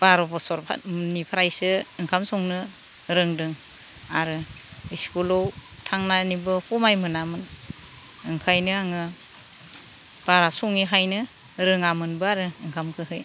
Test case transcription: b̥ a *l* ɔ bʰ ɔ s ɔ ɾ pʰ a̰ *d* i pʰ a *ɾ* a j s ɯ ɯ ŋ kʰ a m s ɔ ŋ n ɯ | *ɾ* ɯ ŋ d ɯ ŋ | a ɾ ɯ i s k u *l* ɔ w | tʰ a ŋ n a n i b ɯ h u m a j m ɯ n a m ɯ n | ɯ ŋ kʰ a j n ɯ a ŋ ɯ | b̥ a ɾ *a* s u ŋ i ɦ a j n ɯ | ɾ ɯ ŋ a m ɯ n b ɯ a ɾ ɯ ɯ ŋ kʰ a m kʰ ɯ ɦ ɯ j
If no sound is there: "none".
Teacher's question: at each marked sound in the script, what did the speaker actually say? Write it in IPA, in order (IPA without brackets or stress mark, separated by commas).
ɾ, n, ɾ, ɾ, l, a